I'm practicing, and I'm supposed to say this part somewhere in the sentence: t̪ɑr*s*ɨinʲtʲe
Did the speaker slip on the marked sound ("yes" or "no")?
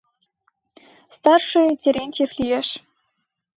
yes